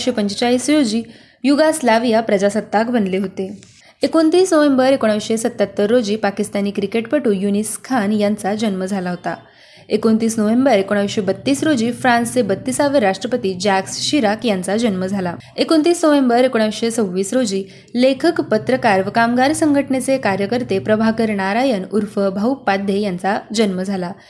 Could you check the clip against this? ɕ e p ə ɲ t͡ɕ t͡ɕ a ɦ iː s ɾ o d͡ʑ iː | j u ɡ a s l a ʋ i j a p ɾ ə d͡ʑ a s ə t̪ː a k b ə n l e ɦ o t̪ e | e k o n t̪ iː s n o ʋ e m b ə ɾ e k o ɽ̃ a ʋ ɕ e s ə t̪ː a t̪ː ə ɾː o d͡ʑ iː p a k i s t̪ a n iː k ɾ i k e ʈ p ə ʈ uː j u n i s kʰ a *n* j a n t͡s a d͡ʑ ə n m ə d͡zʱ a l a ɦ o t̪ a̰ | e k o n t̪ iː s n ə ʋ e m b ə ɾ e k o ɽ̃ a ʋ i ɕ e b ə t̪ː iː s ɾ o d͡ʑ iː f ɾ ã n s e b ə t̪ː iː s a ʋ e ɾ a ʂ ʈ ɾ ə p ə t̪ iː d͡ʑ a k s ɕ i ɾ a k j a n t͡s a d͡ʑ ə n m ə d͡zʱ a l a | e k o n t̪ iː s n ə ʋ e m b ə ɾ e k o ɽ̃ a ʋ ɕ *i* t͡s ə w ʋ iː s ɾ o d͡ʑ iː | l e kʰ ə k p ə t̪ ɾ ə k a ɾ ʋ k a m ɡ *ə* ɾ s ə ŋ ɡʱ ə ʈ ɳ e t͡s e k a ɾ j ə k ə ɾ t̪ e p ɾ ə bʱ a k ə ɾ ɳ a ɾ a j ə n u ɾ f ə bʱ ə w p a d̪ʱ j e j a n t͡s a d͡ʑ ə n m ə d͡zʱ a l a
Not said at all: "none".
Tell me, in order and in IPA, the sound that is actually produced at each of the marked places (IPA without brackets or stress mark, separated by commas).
n, e, a